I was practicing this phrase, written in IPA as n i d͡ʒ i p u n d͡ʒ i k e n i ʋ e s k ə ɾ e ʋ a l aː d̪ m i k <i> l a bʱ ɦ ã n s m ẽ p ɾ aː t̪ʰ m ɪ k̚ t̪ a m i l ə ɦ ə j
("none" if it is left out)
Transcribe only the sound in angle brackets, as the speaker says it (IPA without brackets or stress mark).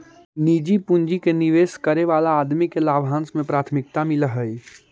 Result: e